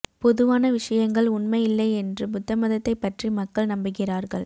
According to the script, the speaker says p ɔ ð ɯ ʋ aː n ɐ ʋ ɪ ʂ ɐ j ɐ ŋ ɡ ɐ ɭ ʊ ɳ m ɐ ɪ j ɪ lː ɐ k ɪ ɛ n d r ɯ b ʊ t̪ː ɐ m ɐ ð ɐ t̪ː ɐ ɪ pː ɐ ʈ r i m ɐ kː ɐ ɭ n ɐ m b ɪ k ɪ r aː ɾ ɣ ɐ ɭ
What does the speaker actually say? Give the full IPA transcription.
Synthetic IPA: p ɔ ð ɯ ʋ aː n ɐ ʋ ɪ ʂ ɐ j ɐ ŋ ɡ ɐ ɭ ʊ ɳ m ɐ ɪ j ɪ lː ɐ ɪ ɛ n d r ɯ b ʊ t̪ː ɐ m ɐ ð ɐ t̪ː ɐ ɪ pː ɐ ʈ r i m ɐ kː ɐ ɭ n ɐ m b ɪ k ɪ r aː ɾ ɣ ɐ ɭ